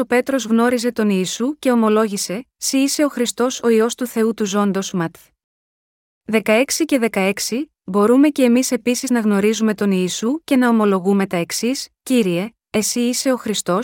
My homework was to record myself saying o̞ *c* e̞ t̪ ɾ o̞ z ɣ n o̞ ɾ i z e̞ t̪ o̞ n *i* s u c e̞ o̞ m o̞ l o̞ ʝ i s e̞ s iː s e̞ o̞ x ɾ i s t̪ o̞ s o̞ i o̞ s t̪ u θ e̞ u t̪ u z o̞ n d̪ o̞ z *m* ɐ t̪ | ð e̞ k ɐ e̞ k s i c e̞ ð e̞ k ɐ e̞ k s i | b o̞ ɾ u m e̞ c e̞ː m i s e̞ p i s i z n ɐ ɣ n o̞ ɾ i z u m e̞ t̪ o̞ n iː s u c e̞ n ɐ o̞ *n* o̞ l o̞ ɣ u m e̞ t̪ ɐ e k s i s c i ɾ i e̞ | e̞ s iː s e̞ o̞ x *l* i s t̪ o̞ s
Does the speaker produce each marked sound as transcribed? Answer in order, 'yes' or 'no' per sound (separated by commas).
no, no, yes, no, no